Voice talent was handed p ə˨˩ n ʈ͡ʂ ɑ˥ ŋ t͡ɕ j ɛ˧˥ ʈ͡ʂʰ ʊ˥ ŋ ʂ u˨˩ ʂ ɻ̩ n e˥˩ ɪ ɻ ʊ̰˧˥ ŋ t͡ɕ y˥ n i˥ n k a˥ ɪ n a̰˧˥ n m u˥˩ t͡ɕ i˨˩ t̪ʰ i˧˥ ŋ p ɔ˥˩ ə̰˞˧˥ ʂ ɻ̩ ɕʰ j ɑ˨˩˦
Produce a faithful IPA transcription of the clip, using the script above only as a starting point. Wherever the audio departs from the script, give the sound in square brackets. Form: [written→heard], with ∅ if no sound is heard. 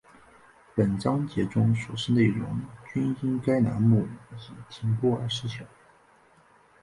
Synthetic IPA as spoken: p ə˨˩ n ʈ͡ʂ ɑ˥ ŋ t͡ɕ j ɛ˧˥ [ʈ͡ʂʰ→ʈ͡ʂ] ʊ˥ ŋ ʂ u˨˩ ʂ ɻ̩ n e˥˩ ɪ ɻ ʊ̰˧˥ ŋ t͡ɕ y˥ n i˥ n k a˥ ɪ n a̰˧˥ n m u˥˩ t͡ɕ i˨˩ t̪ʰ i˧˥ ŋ p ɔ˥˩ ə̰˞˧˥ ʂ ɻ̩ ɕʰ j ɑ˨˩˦